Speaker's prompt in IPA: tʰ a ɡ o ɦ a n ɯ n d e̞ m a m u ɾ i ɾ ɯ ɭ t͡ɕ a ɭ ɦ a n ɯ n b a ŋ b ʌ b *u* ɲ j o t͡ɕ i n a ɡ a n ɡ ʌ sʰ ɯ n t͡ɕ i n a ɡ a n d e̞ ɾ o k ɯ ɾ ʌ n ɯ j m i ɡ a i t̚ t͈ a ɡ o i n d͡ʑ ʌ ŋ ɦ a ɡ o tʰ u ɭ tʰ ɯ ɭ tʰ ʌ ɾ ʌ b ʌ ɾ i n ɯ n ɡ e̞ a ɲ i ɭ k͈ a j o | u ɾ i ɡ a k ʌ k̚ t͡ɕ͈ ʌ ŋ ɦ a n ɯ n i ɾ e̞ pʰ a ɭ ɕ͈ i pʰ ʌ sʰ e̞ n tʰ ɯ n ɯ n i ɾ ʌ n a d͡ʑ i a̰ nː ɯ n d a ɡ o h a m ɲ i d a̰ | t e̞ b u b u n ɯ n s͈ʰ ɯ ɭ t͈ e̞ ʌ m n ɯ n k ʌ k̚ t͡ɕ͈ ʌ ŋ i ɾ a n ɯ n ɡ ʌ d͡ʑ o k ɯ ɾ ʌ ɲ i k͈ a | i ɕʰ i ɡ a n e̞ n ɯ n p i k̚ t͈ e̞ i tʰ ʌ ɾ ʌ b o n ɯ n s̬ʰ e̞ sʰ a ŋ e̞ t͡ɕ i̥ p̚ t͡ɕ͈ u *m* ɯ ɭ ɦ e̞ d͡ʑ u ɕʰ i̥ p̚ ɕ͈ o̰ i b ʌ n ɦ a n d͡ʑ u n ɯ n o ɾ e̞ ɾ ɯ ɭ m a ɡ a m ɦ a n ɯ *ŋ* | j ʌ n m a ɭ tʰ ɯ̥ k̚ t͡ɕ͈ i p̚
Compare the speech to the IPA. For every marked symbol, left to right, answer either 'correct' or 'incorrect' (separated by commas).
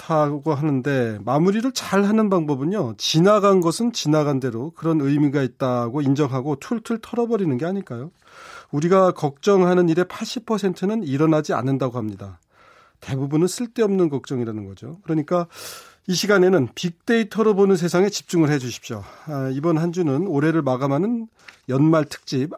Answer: incorrect, incorrect, incorrect